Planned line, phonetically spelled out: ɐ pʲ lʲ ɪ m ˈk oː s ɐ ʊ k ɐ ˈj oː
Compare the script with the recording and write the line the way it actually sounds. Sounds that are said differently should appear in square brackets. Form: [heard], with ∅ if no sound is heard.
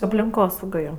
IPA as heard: ɐ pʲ lʲ ɪ [ŋ] ˈk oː s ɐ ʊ [ɡ] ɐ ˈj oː